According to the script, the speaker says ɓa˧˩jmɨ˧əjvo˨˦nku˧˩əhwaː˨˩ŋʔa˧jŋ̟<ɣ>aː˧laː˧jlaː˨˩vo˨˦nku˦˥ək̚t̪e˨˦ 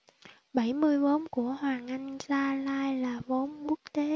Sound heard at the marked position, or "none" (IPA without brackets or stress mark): z